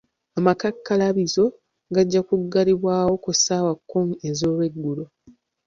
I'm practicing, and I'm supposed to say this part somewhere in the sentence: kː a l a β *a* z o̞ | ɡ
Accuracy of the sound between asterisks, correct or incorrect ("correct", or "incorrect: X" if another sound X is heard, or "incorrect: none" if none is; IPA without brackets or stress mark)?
incorrect: i